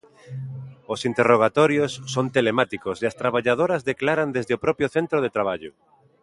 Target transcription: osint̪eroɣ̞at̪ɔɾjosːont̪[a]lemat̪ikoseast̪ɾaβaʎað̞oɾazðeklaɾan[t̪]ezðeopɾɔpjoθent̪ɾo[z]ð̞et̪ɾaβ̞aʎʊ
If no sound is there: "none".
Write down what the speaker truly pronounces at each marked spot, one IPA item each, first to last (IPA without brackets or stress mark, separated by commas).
e, d̪, none